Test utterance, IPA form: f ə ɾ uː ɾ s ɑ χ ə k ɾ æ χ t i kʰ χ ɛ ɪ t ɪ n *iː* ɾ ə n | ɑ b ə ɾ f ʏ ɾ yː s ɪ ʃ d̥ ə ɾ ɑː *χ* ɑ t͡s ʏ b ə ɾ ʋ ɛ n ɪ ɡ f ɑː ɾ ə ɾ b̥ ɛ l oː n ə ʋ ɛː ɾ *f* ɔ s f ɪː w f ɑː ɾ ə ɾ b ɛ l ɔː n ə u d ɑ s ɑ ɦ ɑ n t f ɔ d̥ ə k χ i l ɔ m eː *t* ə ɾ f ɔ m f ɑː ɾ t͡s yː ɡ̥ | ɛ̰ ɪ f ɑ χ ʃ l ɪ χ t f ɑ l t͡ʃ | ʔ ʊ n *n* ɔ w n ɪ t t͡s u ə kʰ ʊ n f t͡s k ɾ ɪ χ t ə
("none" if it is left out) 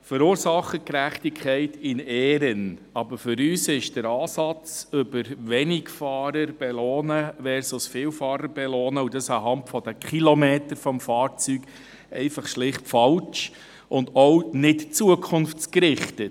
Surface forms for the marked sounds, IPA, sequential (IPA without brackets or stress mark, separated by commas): ɛː, s, s, t, d